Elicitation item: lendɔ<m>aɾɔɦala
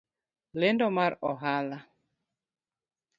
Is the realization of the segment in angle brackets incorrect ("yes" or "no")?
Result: no